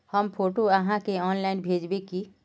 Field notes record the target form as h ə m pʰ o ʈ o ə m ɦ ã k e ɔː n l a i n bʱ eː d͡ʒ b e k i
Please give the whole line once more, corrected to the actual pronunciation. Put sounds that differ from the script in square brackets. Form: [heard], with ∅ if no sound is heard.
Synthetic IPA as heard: h ə m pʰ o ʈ o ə [∅] ɦ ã k e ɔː n l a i n bʱ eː d͡ʒ b e k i